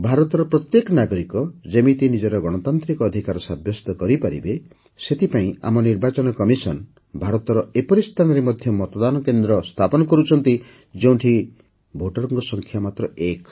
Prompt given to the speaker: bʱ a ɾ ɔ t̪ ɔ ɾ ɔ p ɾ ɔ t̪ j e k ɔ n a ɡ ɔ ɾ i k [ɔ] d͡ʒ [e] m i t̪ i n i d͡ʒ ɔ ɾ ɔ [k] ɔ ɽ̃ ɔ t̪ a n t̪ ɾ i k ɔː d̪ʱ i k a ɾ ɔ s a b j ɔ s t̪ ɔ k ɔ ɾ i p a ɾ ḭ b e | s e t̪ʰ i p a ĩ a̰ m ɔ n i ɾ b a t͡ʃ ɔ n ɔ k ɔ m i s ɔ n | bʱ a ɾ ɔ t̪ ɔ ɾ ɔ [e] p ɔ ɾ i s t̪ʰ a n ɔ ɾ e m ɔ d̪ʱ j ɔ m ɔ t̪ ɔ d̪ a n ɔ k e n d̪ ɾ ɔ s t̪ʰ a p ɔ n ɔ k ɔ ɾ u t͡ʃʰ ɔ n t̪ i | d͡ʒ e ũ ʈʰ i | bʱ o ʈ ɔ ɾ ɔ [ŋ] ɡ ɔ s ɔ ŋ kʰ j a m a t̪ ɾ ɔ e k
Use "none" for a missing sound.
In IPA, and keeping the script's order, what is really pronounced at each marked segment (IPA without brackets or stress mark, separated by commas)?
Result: ɔ, e, ɡ, e, ŋ